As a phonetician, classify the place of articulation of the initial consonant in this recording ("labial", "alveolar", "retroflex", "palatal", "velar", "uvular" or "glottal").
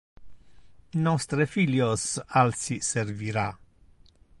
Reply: alveolar